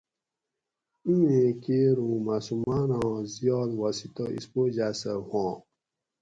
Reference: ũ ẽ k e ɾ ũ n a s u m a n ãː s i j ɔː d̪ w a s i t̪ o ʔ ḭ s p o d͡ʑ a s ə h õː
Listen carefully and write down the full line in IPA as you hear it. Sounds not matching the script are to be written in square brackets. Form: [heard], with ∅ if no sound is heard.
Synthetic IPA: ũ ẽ k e ɾ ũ [m] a s u m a n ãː [z] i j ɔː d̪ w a s i t̪ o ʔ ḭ s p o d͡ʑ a s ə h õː